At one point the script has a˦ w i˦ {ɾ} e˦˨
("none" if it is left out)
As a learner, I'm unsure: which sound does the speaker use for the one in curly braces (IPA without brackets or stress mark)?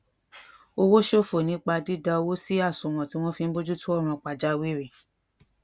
ɾ